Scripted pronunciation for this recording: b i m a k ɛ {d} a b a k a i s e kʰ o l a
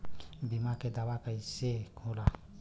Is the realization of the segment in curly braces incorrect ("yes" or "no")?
no